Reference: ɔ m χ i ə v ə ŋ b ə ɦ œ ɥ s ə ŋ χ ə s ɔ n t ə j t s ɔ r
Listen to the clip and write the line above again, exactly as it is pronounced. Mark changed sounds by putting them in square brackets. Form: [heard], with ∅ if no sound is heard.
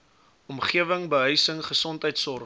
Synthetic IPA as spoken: ɔ m χ i ə v ə ŋ b ə ɦ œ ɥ s ə ŋ χ ə s ɔ n t ə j t s ɔ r